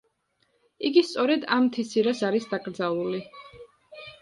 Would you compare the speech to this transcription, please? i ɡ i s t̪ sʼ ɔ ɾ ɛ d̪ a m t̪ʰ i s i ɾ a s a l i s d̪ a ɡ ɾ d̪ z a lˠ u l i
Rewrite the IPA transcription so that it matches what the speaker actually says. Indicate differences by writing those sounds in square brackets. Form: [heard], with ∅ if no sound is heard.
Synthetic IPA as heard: i ɡ i s t̪ sʼ ɔ ɾ ɛ d̪ a m t̪ʰ i s i ɾ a s a [ɾ] i s d̪ a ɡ ɾ d̪ z a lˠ u l i